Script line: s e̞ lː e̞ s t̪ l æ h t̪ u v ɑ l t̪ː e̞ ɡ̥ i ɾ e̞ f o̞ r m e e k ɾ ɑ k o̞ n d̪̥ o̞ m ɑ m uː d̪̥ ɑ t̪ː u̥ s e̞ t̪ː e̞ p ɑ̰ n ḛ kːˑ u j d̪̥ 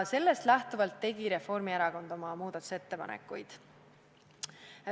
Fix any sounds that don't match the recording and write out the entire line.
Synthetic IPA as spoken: s e̞ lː e̞ s t̪ l æ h t̪ u v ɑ l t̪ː e̞ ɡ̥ i ɾ e̞ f o̞ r m i e ɾ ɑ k o̞ n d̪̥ o̞ m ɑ m uː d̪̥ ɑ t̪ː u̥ s e̞ t̪ː e̞ p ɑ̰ n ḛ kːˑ u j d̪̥